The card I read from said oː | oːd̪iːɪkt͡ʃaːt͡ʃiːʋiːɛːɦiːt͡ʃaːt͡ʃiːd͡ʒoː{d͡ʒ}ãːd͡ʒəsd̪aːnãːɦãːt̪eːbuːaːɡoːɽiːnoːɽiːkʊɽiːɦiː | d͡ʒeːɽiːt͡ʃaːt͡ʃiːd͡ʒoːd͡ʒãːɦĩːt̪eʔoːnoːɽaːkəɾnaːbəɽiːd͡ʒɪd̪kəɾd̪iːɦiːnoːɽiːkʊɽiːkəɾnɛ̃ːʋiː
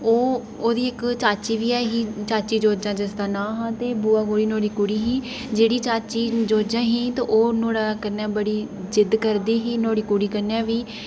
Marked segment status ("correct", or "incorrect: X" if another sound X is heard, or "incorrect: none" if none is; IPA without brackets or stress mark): correct